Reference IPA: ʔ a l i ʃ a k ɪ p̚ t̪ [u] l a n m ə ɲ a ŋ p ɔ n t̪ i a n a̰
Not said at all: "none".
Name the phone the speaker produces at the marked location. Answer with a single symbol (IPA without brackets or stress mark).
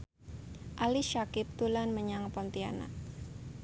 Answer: u